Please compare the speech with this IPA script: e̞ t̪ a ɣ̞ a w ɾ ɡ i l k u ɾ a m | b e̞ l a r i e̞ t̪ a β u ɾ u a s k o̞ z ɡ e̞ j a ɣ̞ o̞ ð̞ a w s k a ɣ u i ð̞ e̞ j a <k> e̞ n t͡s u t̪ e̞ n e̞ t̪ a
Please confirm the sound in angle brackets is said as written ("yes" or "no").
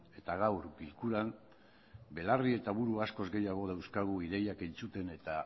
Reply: yes